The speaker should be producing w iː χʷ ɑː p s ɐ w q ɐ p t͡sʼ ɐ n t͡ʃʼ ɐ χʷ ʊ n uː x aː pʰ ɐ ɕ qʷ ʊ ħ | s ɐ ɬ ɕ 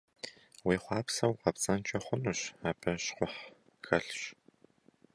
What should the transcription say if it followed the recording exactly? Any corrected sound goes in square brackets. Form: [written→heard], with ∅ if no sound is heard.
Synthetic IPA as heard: w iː χʷ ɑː p s ɐ w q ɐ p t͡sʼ ɐ n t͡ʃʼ ɐ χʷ ʊ n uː [x→ɕ] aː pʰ ɐ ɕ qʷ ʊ ħ | [s→x] ɐ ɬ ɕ